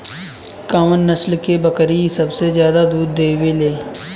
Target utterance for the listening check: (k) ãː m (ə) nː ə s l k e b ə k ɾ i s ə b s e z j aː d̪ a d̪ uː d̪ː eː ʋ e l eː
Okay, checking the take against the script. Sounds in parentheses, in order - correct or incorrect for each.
correct, correct

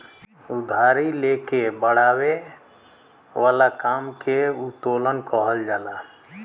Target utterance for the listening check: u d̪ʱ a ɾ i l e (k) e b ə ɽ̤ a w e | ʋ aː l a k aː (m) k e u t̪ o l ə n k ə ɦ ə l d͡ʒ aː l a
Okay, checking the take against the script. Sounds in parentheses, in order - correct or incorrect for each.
correct, correct

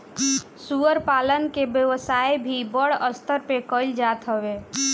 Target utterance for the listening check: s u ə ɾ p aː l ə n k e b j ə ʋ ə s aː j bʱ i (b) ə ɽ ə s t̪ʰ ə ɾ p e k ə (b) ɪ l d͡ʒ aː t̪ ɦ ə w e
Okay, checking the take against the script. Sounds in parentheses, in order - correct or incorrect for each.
correct, incorrect

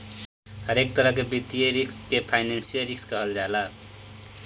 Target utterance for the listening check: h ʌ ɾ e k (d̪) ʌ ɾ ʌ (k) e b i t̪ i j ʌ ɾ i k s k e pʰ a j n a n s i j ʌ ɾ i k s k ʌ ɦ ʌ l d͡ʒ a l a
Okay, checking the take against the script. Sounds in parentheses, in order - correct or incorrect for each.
incorrect, correct

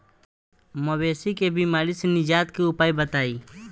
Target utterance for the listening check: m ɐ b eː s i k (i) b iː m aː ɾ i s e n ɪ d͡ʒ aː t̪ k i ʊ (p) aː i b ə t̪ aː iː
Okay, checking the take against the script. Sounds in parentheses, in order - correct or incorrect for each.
incorrect, correct

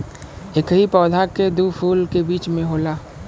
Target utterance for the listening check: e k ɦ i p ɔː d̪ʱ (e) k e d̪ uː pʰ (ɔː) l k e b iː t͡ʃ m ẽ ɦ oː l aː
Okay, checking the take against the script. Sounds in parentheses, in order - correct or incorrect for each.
incorrect, incorrect

